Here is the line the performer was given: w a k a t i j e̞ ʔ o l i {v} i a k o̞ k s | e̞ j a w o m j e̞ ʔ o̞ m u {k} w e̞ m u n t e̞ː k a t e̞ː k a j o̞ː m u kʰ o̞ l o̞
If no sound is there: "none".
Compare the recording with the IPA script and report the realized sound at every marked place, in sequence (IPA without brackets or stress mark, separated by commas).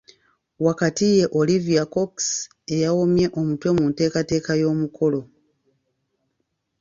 v, t